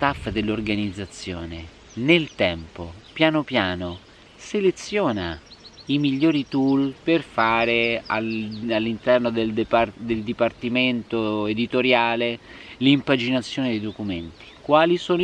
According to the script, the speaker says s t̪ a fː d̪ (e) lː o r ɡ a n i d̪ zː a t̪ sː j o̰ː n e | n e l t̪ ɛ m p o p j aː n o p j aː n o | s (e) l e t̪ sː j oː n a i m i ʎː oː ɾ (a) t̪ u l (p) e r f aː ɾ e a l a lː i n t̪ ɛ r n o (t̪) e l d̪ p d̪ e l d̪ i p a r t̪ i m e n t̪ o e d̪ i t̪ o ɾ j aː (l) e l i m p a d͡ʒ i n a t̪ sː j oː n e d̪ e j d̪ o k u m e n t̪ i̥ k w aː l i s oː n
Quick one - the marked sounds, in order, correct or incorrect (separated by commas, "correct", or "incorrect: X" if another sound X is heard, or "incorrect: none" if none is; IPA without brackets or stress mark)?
correct, correct, incorrect: i, correct, incorrect: d̪, correct